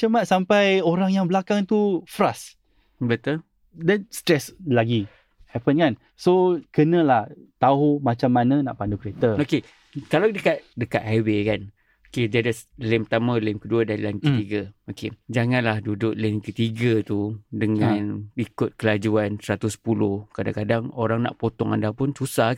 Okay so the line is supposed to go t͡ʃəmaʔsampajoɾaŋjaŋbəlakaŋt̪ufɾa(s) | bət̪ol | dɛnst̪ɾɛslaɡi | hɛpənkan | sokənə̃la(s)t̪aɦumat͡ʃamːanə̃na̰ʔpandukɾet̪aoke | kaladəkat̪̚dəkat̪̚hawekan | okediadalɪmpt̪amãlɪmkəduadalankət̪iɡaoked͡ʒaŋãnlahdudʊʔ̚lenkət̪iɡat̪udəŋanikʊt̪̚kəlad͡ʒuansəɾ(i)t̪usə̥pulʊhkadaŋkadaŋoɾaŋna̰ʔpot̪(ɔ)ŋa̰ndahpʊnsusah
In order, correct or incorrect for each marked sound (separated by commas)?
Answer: correct, incorrect, incorrect, correct